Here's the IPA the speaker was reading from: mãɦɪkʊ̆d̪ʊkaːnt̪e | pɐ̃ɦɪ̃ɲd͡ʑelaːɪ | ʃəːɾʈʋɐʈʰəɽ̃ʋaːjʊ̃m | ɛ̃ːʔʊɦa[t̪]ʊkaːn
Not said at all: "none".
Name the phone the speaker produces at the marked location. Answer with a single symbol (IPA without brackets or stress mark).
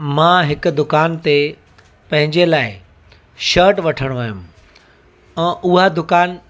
d̪